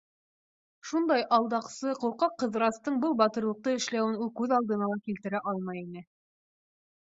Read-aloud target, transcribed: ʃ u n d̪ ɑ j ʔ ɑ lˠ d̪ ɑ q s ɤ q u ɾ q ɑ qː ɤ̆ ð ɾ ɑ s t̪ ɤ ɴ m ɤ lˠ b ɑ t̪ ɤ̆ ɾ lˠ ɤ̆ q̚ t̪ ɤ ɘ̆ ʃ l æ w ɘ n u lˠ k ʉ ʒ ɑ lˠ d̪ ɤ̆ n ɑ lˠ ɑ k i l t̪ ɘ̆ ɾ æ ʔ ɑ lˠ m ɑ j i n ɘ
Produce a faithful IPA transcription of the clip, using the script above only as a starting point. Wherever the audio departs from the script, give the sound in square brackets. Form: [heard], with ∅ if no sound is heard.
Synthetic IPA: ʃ u n d̪ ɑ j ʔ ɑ lˠ d̪ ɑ q s ɤ q u ɾ q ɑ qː ɤ̆ ð ɾ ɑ s t̪ ɤ ɴ [b] ɤ lˠ b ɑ t̪ ɤ̆ ɾ lˠ ɤ̆ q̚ t̪ ɤ ɘ̆ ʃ l æ w ɘ n u lˠ k ʉ [ð] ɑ lˠ d̪ ɤ̆ n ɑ lˠ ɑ k i l t̪ ɘ̆ ɾ æ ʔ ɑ lˠ m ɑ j i n ɘ